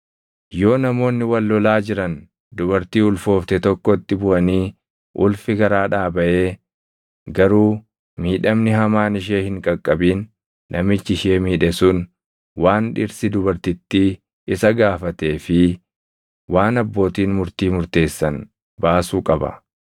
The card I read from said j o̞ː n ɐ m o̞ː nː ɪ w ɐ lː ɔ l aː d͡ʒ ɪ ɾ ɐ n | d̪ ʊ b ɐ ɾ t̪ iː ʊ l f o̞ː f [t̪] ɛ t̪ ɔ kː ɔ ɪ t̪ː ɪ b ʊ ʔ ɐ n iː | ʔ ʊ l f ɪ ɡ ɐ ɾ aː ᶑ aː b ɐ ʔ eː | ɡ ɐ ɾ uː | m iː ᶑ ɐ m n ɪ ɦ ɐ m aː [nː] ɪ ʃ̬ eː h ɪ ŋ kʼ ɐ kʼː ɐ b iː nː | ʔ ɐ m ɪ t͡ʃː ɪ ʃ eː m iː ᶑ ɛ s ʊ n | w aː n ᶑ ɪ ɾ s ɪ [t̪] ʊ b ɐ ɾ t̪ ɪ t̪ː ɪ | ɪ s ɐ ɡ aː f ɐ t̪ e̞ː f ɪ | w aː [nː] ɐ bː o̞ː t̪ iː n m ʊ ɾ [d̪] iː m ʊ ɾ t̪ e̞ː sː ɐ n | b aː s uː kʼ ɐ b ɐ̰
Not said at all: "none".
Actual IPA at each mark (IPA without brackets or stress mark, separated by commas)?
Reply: t̪, n, d̪, n, t̪